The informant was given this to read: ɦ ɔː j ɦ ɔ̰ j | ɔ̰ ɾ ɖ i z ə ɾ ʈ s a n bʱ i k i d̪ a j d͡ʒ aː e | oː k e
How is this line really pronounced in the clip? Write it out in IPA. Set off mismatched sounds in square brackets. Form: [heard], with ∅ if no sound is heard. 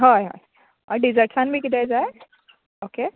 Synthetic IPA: ɦ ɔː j ɦ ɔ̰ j | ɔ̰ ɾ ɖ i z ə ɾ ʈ s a n bʱ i k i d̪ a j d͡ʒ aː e | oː k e